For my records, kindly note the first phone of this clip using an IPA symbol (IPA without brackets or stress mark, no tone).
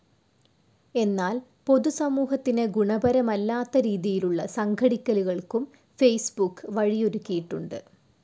e̞